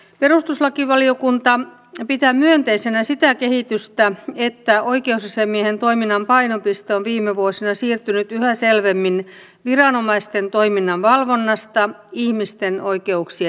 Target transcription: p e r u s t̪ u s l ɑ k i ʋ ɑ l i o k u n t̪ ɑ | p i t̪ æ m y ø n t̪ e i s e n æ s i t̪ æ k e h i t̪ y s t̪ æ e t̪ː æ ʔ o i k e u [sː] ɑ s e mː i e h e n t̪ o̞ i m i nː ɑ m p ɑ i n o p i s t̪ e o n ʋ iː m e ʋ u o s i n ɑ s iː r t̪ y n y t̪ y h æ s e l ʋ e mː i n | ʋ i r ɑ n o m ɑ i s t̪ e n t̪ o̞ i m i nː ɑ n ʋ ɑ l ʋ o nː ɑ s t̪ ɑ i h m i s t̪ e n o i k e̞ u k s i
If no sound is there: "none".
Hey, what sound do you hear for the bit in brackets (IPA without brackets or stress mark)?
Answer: s